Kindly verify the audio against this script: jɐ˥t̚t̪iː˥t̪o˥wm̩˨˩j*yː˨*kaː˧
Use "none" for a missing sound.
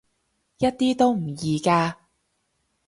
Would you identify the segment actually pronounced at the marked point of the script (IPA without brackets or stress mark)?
iː˨